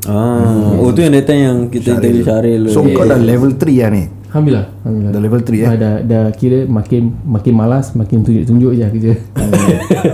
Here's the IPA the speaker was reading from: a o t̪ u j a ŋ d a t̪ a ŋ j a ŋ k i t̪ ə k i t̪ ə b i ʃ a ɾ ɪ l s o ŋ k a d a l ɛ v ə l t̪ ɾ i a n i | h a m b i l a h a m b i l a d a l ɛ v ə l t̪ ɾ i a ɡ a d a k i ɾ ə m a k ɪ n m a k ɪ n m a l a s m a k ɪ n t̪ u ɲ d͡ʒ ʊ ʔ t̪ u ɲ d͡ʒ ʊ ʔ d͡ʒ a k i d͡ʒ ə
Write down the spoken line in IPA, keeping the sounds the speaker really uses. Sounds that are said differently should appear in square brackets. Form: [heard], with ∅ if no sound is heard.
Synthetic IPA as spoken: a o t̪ u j a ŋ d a t̪ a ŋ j a ŋ k i t̪ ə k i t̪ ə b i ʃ a ɾ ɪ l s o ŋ k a d a l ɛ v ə l t̪ ɾ i a n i | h a m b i l a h a m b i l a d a l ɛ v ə l t̪ ɾ i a [d] a d a k i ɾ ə m a k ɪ n m a k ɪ n m a l a s m a k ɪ n t̪ u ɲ d͡ʒ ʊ ʔ t̪ u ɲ d͡ʒ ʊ ʔ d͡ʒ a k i d͡ʒ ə